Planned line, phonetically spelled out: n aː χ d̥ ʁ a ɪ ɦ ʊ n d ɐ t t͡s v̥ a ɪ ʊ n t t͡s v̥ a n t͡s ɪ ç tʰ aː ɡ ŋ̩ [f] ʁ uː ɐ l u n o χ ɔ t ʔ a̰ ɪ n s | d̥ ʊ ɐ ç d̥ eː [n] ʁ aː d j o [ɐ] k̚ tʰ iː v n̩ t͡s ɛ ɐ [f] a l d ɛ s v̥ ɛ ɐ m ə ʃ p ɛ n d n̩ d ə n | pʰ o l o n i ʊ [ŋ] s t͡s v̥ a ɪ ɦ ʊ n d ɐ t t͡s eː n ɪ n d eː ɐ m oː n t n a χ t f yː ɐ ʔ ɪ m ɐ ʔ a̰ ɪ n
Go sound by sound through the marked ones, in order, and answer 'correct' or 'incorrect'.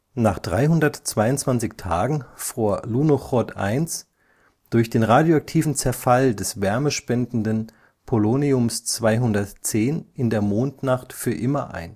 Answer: correct, correct, incorrect, correct, incorrect

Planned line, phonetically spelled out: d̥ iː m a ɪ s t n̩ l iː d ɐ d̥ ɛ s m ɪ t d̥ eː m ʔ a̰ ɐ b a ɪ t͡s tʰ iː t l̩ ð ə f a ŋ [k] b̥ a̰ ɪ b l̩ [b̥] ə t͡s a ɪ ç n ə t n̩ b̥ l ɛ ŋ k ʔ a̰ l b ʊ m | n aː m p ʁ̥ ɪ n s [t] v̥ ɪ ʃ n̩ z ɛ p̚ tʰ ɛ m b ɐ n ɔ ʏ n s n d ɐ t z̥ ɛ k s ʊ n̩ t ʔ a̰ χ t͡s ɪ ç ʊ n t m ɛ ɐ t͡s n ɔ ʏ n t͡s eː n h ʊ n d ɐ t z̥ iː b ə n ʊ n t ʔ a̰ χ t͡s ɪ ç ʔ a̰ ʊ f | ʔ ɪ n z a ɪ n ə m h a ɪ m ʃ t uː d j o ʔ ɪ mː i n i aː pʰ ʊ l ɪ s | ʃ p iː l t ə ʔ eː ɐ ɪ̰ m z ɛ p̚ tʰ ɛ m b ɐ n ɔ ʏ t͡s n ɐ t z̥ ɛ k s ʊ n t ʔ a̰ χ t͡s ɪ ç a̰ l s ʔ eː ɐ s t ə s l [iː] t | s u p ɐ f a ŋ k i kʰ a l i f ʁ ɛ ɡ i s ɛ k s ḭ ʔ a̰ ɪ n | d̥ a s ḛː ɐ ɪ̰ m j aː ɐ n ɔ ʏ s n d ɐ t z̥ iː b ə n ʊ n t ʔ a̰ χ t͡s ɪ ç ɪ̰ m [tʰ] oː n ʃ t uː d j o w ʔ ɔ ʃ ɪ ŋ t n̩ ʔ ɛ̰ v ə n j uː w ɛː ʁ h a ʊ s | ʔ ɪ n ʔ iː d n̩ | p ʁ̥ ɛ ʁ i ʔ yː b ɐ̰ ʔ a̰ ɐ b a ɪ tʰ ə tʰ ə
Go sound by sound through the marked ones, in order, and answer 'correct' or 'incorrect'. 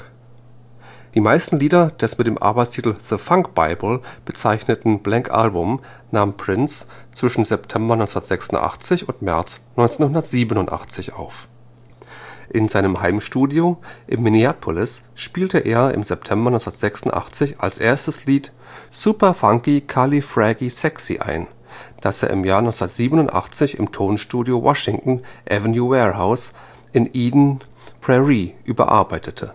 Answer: correct, correct, incorrect, correct, correct

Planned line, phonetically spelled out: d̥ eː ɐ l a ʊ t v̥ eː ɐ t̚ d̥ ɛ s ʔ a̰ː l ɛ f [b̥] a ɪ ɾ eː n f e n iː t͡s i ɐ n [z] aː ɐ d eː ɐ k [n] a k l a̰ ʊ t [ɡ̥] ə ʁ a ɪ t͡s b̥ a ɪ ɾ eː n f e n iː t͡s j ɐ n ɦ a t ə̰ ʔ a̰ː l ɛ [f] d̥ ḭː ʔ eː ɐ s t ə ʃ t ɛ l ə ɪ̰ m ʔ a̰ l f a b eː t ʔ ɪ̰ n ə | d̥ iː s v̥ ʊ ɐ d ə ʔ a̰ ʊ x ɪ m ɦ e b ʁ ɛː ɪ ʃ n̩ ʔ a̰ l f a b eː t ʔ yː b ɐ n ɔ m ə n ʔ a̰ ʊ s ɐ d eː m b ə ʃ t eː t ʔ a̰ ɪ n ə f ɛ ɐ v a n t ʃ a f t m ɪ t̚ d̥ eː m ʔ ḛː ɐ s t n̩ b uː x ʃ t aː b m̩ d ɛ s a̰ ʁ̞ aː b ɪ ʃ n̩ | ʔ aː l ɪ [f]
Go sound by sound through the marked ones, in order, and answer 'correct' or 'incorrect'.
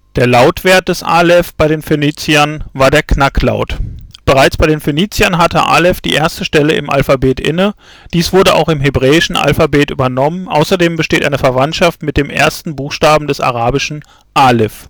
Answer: correct, incorrect, correct, incorrect, correct, correct

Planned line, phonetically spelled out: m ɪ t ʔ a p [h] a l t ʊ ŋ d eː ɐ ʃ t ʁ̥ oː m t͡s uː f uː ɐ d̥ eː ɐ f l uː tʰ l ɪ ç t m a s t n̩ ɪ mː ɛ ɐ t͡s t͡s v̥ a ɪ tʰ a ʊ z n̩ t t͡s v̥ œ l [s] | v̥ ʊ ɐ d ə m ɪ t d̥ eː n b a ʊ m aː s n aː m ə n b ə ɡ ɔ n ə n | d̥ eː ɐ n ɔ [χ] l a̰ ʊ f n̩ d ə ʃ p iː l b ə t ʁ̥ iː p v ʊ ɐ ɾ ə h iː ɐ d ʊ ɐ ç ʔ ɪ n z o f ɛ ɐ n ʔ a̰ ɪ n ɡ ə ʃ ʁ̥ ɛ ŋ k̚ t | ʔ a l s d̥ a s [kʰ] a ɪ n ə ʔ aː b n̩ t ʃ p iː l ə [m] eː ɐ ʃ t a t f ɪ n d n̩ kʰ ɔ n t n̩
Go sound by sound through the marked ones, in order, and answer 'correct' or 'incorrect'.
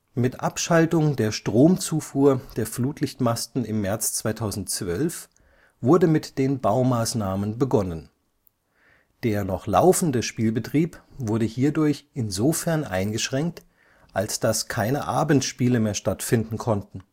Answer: incorrect, incorrect, correct, correct, correct

